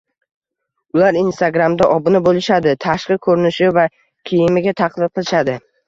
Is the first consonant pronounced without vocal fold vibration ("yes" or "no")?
no